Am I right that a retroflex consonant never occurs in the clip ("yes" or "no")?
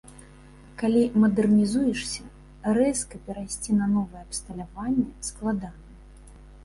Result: no